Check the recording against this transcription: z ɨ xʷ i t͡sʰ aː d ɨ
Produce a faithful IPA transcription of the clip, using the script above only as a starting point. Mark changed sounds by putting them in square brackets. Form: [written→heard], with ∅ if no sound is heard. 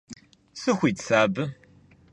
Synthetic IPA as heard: [z→s] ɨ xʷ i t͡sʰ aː [d→b] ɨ